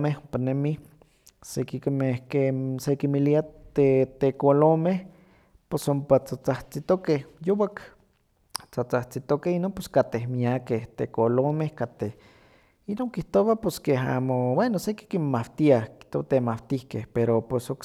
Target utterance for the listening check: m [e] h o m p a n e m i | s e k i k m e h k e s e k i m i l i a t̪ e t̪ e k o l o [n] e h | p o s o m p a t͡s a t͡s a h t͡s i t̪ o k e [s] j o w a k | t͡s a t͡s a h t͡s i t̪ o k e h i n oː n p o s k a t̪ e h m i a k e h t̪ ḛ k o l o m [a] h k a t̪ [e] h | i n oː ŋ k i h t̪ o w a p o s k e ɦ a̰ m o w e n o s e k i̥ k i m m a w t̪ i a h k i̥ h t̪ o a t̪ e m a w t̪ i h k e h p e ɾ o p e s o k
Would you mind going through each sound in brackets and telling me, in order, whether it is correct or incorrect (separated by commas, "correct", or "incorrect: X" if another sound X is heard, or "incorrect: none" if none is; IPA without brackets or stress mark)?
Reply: correct, incorrect: m, incorrect: h, incorrect: e, correct